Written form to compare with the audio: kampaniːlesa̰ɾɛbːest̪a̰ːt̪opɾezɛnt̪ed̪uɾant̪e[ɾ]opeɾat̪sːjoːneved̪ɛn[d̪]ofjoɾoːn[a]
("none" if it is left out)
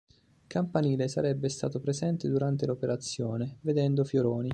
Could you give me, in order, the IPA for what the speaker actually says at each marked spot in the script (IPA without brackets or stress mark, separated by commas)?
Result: l, d̪, i